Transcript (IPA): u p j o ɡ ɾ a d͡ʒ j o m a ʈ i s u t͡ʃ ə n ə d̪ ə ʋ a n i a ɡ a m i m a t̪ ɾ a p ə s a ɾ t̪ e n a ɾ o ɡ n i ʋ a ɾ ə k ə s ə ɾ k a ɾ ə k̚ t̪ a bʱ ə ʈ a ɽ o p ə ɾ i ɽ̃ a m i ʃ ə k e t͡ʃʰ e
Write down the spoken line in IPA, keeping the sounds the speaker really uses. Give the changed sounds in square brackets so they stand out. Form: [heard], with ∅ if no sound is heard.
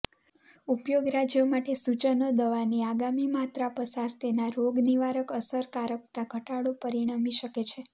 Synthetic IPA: u p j o ɡ ɾ a d͡ʒ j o m a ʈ [e] s u t͡ʃ ə n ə d̪ ə ʋ a n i a ɡ a m i m a t̪ ɾ a p ə s a ɾ t̪ e n a ɾ o ɡ n i ʋ a ɾ ə k ə s ə ɾ k a ɾ ə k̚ t̪ a [ɡʱ] ə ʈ a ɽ o p ə ɾ i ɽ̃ a m i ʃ ə k e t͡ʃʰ e

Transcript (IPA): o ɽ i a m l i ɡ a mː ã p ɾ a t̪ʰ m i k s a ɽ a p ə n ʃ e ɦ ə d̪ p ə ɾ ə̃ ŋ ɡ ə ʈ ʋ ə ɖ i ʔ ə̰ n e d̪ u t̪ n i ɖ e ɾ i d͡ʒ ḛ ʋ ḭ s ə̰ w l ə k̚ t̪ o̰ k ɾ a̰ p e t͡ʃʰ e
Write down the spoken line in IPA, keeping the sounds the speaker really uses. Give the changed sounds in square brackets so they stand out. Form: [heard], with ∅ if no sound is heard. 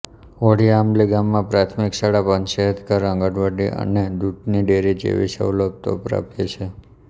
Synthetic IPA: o ɽ i a m l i ɡ a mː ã p ɾ a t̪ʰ m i k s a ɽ a p ə n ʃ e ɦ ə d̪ [k] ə ɾ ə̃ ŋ ɡ ə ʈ ʋ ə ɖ i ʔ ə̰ n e d̪ u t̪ n i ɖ e ɾ i d͡ʒ ḛ ʋ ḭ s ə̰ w l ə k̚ t̪ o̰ [p] ɾ a̰ p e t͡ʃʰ e

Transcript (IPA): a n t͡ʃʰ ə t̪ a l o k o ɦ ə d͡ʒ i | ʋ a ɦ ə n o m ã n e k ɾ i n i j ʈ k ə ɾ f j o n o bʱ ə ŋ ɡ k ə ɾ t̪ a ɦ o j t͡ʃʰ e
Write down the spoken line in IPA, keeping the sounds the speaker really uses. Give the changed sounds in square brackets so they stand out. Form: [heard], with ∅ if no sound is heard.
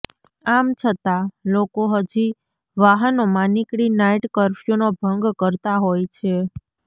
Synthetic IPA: a [m] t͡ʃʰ ə t̪ a l o k o ɦ ə d͡ʒ i | ʋ a ɦ ə n o m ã n [i] k [ɽ] i n [a] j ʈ k ə ɾ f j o n o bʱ ə ŋ ɡ k ə ɾ t̪ a ɦ o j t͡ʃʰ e

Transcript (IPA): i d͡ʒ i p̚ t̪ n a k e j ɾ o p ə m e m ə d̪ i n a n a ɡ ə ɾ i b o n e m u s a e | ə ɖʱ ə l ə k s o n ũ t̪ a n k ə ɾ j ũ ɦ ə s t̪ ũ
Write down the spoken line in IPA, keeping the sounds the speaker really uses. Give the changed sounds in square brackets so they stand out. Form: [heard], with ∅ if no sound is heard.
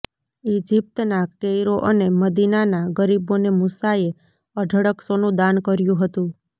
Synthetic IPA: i d͡ʒ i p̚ t̪ n a k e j ɾ o [ʔ] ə [n] e m ə d̪ i n a n a ɡ ə ɾ i b o n e m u s a e | ə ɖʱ ə [ɽ] ə k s o n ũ [d̪] a n k ə ɾ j ũ ɦ ə [∅] t̪ ũ

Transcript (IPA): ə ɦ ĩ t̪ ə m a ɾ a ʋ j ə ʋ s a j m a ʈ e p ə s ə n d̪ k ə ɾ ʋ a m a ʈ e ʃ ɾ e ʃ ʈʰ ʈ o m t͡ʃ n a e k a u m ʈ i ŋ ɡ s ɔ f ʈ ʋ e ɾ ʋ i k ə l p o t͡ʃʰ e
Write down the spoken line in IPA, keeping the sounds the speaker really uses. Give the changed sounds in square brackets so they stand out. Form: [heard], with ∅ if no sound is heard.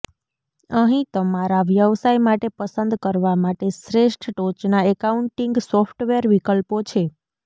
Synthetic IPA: ə ɦ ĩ t̪ ə m a ɾ a ʋ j ə ʋ s a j m a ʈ e p ə s ə n d̪ k ə ɾ ʋ a m a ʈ e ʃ ɾ e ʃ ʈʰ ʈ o [∅] t͡ʃ n a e k a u [ɳ] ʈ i ŋ ɡ s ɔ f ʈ ʋ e ɾ ʋ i k ə l p o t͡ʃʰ e

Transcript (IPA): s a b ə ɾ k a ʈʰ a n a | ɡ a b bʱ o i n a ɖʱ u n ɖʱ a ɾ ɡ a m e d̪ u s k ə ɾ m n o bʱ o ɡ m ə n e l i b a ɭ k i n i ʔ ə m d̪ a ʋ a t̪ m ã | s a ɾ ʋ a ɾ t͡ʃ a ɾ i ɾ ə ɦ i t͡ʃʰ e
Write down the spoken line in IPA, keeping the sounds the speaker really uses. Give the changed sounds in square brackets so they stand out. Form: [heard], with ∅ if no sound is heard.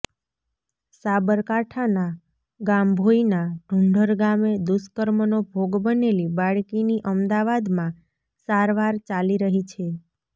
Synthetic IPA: s a b ə ɾ k a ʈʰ a n a | ɡ a [m] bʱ o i n a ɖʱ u [ɳ] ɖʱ [ə] ɾ ɡ a m e d̪ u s k ə ɾ m n o bʱ o ɡ [b] ə n e l i b a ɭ k i n i ʔ ə m d̪ a ʋ a [d̪] m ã | s a ɾ ʋ a ɾ t͡ʃ a [l] i ɾ ə ɦ i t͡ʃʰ e

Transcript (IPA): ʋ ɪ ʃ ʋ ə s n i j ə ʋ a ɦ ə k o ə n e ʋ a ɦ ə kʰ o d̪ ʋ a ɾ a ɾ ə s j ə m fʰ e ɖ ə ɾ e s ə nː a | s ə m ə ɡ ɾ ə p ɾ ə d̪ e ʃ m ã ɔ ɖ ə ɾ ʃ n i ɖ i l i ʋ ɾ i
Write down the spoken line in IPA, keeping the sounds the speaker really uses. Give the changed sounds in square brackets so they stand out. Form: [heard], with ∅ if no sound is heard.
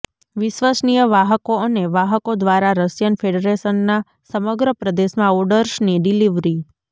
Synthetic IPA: ʋ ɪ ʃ ʋ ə s n i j ə ʋ a ɦ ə k o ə n e ʋ a ɦ ə [k] o d̪ ʋ a ɾ a ɾ ə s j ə [n] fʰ e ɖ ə ɾ e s ə nː a | s ə m ə ɡ ɾ ə p ɾ ə d̪ e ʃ m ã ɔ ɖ ə ɾ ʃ n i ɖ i l i ʋ ɾ i

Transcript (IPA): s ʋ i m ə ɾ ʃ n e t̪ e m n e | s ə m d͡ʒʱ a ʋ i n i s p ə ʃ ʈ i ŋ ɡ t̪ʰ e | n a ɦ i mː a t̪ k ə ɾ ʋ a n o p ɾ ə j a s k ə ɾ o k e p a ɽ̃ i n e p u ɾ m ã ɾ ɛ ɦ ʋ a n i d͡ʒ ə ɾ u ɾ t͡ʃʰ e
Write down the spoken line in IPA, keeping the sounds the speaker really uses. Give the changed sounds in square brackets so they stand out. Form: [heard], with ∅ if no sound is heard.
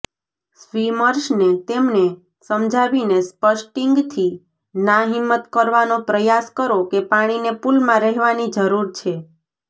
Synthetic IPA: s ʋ i m ə ɾ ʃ n e t̪ e m n e | s ə m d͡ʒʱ a ʋ i n [e] s p ə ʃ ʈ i ŋ ɡ t̪ʰ [i] | n a ɦ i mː [ə] t̪ k ə ɾ ʋ a n o p ɾ ə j a s k ə ɾ o k e p a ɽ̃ i n e p u [l] m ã ɾ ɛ ɦ ʋ a n i d͡ʒ ə ɾ u ɾ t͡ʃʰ e

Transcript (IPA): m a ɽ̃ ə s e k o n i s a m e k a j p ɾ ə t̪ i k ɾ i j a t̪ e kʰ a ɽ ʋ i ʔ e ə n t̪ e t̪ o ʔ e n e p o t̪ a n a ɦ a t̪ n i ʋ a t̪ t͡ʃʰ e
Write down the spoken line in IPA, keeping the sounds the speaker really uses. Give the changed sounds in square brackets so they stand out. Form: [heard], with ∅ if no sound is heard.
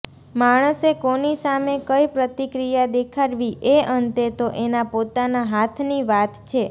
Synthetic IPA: m a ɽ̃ ə s e k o n i s a m e k [ə] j p ɾ ə t̪ i k ɾ i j a [d̪] e kʰ a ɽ ʋ i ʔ e ə n t̪ e t̪ o ʔ e n [a] p o t̪ a n a ɦ a [t̪ʰ] n i ʋ a t̪ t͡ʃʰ e

